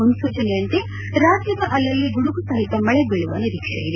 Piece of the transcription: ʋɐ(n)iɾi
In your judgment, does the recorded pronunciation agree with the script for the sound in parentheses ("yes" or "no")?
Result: yes